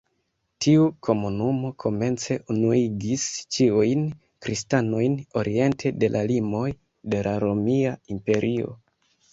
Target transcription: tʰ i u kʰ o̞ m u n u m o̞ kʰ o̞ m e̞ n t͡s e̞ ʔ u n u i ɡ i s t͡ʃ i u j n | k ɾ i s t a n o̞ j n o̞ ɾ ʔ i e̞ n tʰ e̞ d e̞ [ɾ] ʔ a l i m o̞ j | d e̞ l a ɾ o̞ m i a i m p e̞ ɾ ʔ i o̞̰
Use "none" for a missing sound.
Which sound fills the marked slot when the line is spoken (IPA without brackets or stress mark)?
l